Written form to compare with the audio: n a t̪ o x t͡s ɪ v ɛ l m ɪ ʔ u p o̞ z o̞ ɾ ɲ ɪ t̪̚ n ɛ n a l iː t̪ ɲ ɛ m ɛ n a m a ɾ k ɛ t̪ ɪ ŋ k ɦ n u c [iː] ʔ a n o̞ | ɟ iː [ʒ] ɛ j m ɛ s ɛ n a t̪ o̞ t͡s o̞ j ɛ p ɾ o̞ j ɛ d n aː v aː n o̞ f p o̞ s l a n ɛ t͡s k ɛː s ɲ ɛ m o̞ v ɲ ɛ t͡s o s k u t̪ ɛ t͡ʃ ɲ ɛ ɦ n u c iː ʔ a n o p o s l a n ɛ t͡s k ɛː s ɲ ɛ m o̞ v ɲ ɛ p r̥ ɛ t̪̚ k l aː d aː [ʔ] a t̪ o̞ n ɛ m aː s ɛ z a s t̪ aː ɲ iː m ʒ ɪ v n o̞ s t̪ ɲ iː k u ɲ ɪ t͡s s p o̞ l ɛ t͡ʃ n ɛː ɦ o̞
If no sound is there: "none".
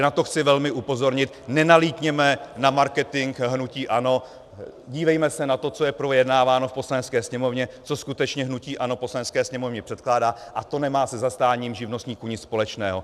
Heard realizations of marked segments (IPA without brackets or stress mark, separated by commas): iː, v, ʔ